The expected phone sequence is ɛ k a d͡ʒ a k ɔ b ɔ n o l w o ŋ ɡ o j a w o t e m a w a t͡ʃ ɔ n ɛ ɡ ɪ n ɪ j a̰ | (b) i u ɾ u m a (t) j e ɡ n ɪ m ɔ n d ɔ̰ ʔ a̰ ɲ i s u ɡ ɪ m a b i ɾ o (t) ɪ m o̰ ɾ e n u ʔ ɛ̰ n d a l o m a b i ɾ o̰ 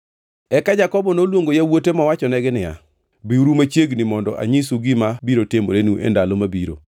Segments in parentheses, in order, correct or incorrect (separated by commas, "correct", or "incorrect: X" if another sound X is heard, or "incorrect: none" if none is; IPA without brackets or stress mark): correct, incorrect: t͡ʃ, correct